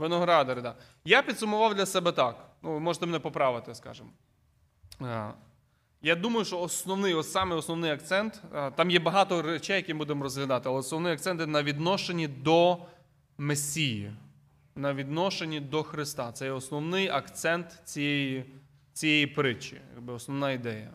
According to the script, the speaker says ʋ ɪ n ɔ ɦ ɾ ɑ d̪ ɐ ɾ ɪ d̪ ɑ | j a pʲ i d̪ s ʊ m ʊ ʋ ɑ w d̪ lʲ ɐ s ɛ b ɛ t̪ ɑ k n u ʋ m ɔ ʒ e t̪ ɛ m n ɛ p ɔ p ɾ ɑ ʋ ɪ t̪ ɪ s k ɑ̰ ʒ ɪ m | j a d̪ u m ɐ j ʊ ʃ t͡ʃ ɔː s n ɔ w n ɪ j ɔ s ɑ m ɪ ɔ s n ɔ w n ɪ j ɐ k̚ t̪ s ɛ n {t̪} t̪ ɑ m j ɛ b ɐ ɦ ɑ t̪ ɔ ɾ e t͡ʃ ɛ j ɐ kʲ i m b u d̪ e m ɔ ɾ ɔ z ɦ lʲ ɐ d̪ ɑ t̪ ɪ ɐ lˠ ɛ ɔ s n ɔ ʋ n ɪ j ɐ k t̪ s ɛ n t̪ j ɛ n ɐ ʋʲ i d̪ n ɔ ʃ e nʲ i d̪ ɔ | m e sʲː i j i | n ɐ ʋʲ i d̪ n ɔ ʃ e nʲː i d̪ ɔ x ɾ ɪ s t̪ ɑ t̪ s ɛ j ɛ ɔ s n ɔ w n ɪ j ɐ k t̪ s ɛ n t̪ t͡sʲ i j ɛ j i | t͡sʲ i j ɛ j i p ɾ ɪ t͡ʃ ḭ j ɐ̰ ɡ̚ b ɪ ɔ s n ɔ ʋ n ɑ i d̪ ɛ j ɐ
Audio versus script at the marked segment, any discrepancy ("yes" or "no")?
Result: no